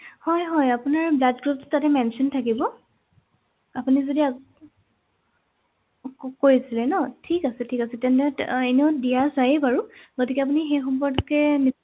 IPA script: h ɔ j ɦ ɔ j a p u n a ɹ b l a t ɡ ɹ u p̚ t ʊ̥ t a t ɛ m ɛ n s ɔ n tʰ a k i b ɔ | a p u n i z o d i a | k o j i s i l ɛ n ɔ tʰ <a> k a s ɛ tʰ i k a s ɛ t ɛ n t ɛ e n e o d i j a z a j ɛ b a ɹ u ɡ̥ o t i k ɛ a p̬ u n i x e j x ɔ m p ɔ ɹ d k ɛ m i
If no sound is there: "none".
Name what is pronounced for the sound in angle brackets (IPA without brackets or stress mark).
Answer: i